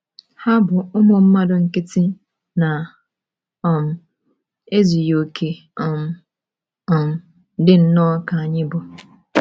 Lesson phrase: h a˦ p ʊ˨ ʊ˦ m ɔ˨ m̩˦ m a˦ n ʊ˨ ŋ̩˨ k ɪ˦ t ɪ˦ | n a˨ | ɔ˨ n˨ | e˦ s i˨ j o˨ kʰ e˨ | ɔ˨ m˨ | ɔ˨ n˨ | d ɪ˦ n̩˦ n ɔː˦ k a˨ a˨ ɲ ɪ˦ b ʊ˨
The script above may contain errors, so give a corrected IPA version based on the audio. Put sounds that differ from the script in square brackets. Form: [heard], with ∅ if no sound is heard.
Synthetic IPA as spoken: h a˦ [b] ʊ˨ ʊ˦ m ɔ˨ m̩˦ m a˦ [d] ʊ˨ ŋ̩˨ k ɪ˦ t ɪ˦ | n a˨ | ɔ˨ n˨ | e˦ [z] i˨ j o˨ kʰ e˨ | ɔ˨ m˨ | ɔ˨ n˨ | d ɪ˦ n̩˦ n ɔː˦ k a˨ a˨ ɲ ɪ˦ b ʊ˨